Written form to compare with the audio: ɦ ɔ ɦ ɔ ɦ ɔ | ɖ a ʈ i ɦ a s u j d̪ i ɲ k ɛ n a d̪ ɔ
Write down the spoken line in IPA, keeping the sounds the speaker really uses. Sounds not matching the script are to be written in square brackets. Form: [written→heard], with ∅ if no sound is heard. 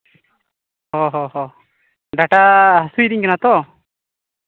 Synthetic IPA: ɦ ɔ ɦ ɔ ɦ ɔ | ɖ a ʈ [i→a] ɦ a s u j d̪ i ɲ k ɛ n a [d̪→t̪] ɔ